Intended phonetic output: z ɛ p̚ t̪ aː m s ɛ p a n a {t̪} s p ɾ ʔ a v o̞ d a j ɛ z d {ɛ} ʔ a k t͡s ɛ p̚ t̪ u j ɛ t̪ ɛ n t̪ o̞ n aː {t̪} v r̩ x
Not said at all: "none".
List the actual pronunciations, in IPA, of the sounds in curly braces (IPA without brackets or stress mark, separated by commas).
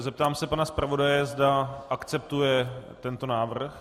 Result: none, a, none